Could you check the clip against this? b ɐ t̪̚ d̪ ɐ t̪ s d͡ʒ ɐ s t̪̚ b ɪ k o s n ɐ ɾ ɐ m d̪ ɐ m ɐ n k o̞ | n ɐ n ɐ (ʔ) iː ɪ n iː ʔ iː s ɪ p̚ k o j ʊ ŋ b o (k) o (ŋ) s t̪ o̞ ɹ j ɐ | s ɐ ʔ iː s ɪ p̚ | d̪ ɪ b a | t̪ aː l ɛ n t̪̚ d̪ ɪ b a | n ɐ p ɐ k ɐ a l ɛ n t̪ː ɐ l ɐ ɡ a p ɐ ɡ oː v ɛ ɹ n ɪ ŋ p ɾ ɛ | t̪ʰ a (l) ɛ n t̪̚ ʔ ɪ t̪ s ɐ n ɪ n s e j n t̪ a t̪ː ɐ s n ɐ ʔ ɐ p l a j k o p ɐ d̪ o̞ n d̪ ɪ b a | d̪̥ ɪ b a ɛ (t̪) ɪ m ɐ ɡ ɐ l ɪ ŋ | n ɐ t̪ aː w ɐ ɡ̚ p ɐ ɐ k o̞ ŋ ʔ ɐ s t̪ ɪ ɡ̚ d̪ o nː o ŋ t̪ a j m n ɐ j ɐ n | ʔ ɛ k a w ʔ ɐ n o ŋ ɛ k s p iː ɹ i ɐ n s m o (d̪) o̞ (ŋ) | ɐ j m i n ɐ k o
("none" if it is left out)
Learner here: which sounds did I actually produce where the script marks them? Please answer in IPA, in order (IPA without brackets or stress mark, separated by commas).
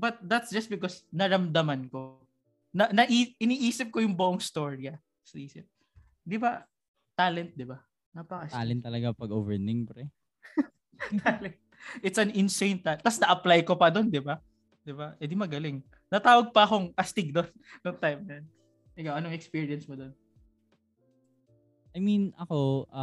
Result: ʔ, ʔ, ŋ, l, d̪, d̪, n